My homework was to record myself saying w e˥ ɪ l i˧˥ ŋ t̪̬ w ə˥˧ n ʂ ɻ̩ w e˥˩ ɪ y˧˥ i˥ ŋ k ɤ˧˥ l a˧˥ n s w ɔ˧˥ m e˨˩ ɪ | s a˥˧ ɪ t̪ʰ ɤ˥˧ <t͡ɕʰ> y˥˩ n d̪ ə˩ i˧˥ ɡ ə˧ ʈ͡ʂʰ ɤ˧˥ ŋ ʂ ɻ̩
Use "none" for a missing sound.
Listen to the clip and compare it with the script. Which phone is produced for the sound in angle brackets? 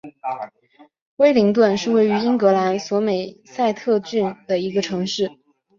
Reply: t͡ɕ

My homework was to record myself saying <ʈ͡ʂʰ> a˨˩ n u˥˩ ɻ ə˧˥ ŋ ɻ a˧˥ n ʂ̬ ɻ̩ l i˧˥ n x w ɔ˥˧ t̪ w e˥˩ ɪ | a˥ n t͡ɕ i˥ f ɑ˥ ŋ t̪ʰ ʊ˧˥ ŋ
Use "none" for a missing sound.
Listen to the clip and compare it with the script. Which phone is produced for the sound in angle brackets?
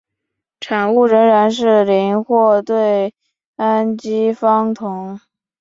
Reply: ʈ͡ʂʰ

